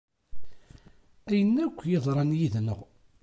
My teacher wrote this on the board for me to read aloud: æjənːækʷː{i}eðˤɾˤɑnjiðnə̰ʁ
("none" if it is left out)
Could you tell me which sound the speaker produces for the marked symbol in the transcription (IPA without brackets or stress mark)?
j